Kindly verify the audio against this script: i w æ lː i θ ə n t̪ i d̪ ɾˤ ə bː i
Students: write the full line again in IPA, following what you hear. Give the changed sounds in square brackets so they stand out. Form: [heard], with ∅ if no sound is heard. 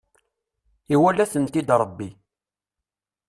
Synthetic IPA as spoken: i w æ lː [æ] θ ə n t̪ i d̪ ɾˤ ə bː i